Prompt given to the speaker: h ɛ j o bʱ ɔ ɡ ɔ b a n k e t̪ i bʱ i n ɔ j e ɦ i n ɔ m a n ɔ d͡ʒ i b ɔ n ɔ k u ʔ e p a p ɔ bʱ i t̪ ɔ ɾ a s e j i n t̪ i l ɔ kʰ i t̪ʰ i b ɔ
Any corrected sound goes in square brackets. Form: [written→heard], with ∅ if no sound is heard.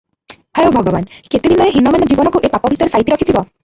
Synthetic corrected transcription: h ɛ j o bʱ ɔ ɡ ɔ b a n k e t̪ i bʱ i n ɔ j e ɦ i n ɔ m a n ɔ d͡ʒ i b ɔ n ɔ k u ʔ e p a p ɔ bʱ i t̪ ɔ ɾ [a→e] s [e→a] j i [n→∅] t̪ i [l→ɾ] ɔ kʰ i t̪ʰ i b ɔ